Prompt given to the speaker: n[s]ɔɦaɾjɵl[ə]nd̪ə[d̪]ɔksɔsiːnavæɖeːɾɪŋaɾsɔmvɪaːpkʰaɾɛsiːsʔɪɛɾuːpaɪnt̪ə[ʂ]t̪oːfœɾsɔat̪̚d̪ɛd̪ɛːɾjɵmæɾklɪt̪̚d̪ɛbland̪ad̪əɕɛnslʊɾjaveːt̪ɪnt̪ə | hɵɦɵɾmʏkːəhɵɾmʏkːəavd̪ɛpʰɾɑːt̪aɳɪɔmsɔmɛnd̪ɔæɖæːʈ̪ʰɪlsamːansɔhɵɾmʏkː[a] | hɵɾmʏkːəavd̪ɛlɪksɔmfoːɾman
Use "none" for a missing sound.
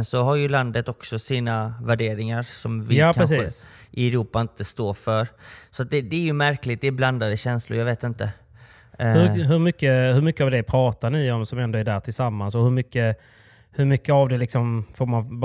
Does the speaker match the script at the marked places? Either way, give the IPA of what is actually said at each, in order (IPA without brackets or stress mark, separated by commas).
s, a, t̪, s, ə